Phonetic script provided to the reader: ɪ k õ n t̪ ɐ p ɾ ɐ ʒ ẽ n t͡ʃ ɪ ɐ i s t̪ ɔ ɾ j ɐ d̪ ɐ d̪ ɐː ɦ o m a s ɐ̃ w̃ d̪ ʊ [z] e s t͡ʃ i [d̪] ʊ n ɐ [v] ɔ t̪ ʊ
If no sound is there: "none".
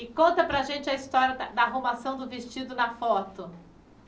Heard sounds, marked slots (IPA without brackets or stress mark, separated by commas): v, d̪, f